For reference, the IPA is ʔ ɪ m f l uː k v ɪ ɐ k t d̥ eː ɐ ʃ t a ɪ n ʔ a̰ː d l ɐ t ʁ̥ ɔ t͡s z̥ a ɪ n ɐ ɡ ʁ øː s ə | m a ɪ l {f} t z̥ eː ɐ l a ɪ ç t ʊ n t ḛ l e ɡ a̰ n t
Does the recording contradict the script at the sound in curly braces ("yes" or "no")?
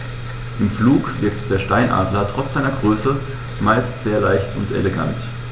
yes